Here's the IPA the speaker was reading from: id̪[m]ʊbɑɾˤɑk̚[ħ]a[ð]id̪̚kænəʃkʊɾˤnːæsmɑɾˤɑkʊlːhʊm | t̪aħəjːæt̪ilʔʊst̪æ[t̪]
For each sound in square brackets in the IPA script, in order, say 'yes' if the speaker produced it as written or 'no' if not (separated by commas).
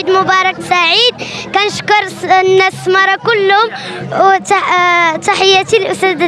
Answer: yes, no, no, no